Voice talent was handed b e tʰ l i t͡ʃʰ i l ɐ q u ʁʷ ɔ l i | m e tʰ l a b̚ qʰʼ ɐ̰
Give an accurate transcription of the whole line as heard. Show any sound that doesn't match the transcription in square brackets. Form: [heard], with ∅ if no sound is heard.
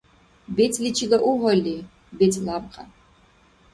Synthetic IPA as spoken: b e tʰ l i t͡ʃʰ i l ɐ [ʔ] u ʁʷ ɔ l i | [b] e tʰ l a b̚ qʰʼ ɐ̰